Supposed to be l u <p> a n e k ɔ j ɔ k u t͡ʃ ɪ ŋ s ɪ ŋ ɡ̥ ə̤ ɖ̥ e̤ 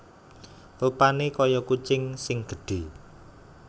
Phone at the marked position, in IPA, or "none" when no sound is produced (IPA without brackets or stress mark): p